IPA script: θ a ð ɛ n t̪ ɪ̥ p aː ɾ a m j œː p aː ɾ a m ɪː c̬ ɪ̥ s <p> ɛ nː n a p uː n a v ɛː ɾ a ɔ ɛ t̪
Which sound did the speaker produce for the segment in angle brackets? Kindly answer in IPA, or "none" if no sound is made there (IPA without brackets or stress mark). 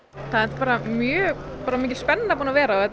p